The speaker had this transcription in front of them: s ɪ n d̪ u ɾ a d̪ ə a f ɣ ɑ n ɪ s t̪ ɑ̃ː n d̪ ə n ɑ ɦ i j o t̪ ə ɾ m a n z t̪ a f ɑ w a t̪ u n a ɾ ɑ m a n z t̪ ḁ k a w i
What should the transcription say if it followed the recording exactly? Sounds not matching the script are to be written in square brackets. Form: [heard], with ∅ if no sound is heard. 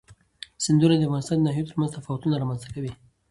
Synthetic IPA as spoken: s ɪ n d̪ u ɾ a d̪ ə a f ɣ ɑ n ɪ s t̪ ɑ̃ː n d̪ ə n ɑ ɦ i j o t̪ ə ɾ m a n z t̪ a f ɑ w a t̪ u n a ɾ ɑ m a n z t̪ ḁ k a w i